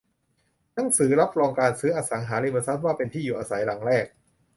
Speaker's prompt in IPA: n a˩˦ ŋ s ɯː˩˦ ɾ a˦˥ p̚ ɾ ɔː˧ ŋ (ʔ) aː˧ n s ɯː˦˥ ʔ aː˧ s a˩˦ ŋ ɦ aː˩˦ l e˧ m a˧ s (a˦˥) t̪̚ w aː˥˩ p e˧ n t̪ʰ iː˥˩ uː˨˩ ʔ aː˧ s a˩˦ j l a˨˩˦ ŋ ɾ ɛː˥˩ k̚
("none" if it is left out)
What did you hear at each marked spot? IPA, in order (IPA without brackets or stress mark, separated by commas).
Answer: k, a˦˥